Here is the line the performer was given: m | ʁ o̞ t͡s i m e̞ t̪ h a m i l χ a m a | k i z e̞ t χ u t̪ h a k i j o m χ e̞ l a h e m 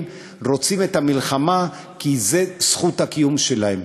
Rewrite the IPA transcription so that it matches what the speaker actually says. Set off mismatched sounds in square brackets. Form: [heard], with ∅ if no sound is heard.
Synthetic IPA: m | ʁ o̞ t͡s i m e̞ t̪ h a m i l χ a m a | k i z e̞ [s] χ u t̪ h a k i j [u] m [ʃ] e̞ l a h e m